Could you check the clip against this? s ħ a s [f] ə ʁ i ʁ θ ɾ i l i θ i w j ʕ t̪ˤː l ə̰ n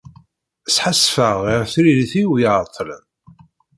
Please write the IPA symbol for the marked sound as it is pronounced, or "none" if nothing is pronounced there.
f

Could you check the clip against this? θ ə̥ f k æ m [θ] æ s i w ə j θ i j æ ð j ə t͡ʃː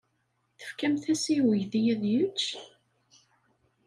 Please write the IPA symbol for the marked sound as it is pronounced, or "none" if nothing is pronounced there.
θ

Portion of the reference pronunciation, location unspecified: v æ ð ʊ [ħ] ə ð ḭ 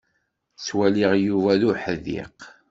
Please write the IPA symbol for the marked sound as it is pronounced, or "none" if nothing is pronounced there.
ħ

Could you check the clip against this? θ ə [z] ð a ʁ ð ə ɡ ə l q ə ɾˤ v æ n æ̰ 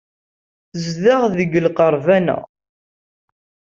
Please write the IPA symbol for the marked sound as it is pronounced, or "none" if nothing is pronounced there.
z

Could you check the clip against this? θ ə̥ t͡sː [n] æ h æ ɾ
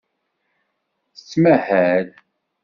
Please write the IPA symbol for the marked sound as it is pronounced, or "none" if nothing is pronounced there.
m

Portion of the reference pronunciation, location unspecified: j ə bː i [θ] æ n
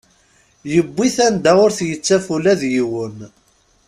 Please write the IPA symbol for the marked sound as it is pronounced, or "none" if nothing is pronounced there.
θ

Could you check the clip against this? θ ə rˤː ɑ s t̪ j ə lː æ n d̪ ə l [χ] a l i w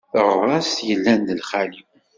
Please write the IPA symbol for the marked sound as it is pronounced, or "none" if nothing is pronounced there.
χ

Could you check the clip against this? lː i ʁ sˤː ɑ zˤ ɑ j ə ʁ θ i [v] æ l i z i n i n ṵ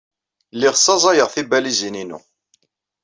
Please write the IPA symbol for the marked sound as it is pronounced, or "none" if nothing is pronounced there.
b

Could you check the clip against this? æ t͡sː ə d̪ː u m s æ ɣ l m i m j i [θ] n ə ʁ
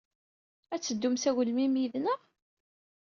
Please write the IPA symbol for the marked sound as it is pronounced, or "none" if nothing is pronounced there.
ð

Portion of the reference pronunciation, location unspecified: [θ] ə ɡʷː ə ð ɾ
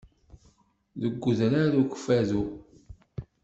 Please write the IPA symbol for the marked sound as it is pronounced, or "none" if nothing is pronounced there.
ð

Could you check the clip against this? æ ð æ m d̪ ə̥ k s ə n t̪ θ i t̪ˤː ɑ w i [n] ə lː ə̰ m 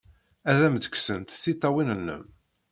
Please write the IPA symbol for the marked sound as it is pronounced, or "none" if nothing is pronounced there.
n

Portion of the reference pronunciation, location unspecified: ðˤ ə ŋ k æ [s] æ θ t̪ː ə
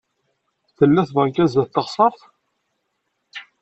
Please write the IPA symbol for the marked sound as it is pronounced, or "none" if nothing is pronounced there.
z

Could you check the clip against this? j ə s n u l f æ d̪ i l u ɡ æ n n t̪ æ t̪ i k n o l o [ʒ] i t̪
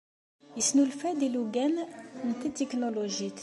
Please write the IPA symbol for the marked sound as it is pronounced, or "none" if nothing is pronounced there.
ʒ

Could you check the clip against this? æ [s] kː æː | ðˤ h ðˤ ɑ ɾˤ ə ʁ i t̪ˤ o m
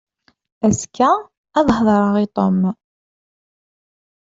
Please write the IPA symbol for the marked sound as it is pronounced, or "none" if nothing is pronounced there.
s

